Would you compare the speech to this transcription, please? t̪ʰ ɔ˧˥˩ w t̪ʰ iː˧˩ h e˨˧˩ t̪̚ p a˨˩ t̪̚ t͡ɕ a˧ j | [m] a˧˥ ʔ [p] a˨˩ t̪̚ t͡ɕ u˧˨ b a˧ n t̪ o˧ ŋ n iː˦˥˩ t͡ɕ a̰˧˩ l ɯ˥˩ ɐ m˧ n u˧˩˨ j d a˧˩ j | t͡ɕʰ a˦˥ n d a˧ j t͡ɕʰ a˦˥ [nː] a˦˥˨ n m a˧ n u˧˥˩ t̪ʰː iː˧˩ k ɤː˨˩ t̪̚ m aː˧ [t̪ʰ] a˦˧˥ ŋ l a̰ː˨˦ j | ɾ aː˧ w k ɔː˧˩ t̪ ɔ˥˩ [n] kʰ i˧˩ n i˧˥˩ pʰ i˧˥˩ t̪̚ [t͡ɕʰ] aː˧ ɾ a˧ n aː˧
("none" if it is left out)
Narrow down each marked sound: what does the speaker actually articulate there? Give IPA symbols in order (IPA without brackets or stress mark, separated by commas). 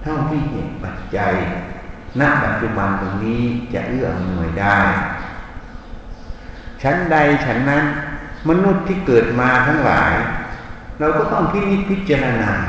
n, p, nː, t̪ʰ, ŋ, t͡ɕ